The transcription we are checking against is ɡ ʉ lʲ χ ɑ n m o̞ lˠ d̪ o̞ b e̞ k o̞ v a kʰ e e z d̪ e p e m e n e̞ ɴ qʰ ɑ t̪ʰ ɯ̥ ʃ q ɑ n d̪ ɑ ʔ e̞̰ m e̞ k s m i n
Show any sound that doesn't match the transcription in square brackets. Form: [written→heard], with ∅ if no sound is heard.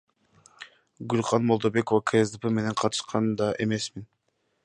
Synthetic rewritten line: ɡ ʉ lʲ χ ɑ n m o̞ lˠ d̪ o̞ b e̞ k o̞ v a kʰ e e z d̪ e p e m e n e̞ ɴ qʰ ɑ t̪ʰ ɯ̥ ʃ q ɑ n d̪ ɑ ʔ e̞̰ m e̞ [k→∅] s m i n